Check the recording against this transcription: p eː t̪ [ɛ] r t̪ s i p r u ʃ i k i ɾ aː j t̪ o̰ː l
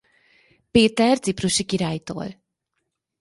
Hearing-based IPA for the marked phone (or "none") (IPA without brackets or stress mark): ɛ